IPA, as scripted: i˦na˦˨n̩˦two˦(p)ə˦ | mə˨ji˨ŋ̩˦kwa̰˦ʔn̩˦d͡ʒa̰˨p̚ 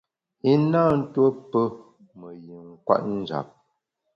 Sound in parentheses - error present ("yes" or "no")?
no